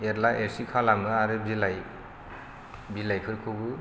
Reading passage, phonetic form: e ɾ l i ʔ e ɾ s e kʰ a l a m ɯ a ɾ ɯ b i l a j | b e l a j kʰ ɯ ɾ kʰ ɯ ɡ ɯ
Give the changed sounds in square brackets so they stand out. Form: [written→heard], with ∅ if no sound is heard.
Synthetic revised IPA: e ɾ l [i→a] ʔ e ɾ s [e→i] kʰ a l a m ɯ a ɾ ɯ b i l a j | b [e→i] l a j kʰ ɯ ɾ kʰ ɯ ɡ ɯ